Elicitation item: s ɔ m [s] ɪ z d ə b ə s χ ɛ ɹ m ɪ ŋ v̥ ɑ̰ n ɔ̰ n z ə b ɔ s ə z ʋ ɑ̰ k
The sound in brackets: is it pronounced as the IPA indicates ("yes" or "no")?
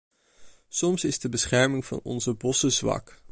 yes